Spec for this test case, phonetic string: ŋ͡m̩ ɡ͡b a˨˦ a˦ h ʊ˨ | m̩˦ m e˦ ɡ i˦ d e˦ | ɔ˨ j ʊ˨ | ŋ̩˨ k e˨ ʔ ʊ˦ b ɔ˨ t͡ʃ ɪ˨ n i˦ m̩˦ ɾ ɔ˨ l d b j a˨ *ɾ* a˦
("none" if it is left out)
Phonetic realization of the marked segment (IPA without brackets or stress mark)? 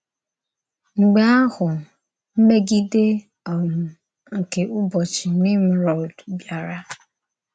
ɾ